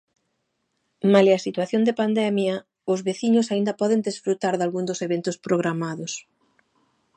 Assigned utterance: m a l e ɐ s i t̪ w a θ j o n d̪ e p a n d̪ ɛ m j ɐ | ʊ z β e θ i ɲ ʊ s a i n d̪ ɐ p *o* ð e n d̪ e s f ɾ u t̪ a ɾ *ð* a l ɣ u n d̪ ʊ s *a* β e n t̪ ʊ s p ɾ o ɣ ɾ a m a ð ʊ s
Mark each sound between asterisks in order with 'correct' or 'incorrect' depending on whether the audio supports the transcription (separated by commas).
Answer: incorrect, correct, incorrect